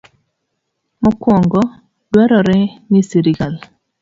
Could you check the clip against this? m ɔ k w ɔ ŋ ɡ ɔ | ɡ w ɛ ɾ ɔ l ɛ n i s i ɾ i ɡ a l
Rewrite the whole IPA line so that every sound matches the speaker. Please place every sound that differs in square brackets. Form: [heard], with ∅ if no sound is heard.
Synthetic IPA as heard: m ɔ k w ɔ ŋ ɡ ɔ | [d] w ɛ ɾ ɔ [ɾ] ɛ n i s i ɾ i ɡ a l